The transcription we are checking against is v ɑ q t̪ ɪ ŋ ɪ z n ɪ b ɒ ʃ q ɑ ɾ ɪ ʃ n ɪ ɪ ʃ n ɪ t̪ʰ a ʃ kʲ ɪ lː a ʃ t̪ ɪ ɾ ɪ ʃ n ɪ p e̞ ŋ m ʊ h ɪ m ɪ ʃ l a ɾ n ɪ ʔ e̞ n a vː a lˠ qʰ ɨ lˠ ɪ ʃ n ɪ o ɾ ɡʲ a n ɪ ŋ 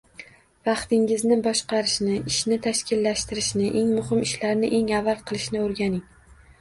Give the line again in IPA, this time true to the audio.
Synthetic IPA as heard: v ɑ q t̪ ɪ ŋ ɪ z n ɪ b ɒ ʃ q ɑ ɾ ɪ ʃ n ɪ ɪ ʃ n ɪ t̪ʰ a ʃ kʲ ɪ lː a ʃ t̪ ɪ ɾ ɪ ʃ n ɪ ʔ e̞ ŋ m ʊ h ɪ m ɪ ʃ l a ɾ n ɪ ʔ e̞ ŋ a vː a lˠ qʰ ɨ lˠ ɪ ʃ n ɪ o ɾ ɡʲ a n ɪ ŋ